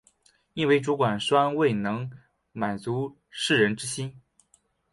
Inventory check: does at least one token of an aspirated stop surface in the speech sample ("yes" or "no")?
no